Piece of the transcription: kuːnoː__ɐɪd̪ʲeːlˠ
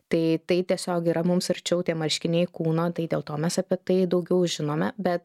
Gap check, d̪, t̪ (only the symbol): t̪